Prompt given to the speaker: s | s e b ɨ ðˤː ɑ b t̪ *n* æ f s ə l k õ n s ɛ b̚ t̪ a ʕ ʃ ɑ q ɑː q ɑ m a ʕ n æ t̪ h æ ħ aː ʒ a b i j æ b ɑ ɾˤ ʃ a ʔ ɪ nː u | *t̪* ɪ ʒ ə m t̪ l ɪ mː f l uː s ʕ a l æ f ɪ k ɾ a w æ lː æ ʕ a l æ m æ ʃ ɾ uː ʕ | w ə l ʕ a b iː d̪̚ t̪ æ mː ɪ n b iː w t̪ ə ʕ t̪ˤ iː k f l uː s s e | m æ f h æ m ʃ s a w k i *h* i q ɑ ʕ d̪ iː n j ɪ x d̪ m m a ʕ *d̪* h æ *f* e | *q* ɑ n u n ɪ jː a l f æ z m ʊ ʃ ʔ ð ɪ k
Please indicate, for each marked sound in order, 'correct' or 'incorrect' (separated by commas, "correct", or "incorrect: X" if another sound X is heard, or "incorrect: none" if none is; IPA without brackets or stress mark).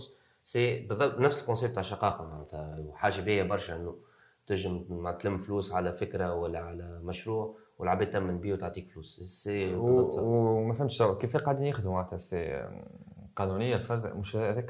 correct, correct, incorrect: f, incorrect: t̪, incorrect: s, correct